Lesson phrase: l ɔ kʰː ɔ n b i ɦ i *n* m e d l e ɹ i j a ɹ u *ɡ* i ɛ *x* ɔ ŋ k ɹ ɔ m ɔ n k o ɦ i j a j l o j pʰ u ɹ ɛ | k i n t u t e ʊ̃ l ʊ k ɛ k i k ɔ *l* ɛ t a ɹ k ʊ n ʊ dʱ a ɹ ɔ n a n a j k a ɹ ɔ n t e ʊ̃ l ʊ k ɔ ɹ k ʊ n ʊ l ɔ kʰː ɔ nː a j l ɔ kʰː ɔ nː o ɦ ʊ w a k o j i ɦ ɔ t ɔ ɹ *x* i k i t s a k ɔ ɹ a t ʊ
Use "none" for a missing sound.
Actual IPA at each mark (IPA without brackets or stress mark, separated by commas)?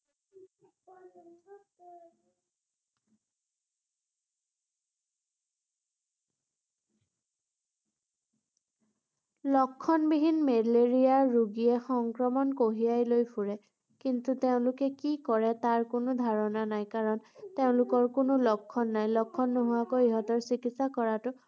n, ɡ, x, ɹ, s